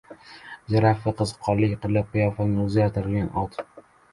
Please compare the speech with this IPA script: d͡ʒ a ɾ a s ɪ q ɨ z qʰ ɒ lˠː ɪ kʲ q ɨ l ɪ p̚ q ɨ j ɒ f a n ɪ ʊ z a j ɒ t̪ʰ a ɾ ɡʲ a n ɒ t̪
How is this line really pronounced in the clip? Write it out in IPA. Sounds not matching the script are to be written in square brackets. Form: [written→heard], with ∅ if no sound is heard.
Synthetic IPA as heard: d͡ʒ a ɾ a [s→f] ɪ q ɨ z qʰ ɒ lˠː ɪ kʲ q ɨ l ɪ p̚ q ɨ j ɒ f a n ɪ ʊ z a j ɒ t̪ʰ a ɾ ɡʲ a n ɒ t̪